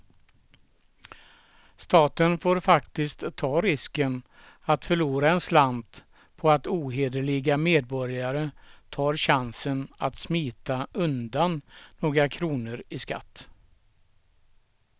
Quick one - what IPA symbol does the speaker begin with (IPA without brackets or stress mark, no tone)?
s